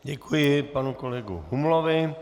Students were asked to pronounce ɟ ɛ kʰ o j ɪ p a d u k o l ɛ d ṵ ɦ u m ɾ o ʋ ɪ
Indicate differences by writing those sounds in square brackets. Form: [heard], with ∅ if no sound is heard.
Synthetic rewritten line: ɟ ɛ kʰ [u] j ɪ p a [n] u k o l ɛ [ɡ] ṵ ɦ u m [l] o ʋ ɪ